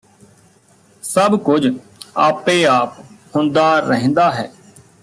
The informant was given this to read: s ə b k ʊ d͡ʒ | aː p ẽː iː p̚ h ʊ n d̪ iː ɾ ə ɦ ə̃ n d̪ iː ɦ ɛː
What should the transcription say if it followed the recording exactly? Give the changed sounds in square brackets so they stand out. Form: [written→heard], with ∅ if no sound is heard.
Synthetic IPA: s ə b k ʊ d͡ʒ | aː p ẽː [iː→aː] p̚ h ʊ n d̪ [iː→aː] ɾ ə ɦ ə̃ n d̪ [iː→aː] ɦ ɛː